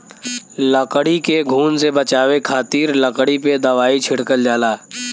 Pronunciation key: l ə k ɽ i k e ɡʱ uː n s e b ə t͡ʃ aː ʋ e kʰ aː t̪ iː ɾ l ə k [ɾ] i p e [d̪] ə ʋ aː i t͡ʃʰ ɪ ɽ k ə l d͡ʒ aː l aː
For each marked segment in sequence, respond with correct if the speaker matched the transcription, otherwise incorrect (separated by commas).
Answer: incorrect, correct